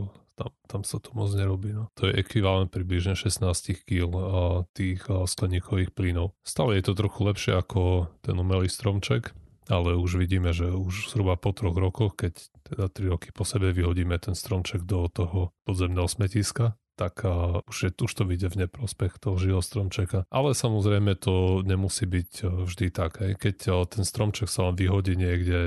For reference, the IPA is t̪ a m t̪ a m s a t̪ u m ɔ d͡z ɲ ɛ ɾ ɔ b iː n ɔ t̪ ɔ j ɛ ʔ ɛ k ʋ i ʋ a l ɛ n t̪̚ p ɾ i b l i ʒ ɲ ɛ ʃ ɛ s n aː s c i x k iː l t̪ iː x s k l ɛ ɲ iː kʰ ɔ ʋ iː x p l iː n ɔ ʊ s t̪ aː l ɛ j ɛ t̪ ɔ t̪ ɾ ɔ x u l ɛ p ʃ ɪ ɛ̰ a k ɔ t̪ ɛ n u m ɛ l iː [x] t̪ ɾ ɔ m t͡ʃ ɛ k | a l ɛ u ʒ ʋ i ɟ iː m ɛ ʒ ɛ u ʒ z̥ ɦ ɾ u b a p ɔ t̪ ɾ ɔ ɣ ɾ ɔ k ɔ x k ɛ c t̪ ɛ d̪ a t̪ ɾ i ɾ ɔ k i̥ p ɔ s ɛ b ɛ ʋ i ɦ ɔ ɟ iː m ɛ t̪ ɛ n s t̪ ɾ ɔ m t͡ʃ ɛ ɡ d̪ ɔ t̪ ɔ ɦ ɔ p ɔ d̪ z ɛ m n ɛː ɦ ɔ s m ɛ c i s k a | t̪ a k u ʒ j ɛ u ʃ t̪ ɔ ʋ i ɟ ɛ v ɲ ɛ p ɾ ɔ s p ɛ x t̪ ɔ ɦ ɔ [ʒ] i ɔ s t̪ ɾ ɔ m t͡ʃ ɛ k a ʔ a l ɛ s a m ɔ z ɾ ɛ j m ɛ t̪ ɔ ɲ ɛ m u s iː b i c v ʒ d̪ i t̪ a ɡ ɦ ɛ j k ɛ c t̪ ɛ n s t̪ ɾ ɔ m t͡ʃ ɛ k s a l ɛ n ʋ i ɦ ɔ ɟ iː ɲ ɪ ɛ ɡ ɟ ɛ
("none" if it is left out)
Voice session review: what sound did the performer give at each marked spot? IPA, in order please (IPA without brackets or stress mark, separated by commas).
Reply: s, ʒ